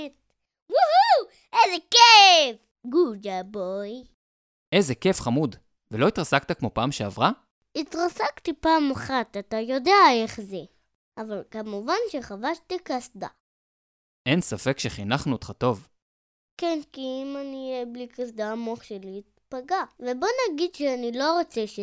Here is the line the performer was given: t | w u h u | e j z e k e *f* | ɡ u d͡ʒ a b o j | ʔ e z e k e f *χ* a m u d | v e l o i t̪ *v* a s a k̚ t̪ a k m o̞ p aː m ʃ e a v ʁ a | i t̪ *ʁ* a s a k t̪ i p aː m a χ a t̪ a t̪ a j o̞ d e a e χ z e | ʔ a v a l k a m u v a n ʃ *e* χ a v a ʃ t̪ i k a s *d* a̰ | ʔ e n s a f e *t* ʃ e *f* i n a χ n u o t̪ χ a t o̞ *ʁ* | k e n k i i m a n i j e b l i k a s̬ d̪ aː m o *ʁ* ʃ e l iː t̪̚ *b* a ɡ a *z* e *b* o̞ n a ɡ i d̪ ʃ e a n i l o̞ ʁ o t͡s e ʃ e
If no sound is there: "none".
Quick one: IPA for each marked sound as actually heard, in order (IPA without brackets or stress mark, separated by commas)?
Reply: f, χ, ʁ, ʁ, e, d, k, χ, v, χ, p, v, b